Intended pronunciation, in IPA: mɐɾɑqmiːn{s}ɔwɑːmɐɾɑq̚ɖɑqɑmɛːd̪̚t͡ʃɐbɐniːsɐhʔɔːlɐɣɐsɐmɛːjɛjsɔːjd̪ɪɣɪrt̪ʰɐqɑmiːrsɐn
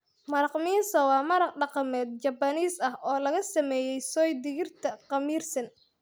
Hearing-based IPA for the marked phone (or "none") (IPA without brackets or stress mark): s